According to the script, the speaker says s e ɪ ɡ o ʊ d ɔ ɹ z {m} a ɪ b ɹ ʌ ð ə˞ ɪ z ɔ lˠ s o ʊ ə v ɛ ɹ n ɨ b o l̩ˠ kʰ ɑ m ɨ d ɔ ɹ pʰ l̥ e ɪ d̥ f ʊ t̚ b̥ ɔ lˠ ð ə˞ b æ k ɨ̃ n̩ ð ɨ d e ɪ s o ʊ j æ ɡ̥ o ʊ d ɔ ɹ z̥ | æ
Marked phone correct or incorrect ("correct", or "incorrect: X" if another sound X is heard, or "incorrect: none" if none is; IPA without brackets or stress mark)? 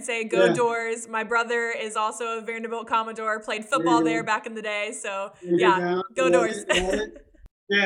correct